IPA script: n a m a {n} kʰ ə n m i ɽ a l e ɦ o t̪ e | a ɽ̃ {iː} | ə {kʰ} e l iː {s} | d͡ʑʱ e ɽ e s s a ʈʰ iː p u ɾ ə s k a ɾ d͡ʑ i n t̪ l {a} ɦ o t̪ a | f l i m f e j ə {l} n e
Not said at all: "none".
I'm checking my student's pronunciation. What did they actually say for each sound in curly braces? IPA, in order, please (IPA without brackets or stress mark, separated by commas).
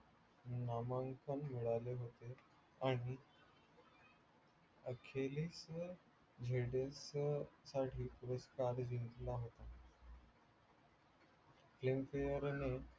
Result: ŋ, i, kʰ, s, a, ɾ